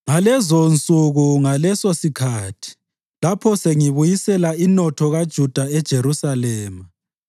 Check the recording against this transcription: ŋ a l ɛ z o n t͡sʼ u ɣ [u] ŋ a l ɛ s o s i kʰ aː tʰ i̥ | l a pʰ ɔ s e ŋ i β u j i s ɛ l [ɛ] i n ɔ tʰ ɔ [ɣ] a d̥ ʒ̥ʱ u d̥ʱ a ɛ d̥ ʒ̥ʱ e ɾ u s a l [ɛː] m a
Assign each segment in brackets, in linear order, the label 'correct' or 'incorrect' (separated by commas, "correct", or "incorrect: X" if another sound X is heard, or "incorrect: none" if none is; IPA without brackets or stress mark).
correct, incorrect: a, correct, correct